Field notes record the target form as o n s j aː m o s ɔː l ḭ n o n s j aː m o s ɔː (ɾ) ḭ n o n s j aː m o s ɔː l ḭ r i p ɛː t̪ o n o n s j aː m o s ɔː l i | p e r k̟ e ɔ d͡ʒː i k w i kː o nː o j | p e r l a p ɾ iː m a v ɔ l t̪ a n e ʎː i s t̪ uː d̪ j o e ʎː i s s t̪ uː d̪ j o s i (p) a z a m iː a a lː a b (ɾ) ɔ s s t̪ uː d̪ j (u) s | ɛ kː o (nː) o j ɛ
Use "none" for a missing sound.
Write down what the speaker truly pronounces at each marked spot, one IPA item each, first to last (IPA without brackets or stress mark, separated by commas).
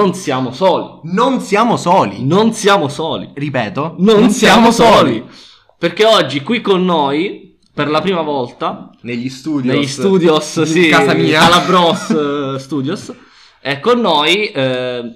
l, k, ɾ, o, nː